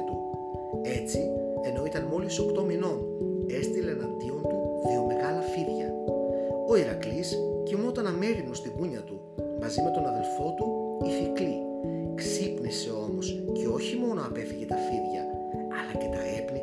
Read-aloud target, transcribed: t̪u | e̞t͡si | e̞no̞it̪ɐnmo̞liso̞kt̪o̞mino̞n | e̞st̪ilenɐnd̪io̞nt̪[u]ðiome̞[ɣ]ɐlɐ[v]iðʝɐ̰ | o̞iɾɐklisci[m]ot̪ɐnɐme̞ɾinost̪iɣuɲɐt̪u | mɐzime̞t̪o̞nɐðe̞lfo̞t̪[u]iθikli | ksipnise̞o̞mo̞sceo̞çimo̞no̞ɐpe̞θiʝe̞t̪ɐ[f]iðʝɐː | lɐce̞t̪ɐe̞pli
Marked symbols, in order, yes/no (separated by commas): yes, yes, no, yes, yes, yes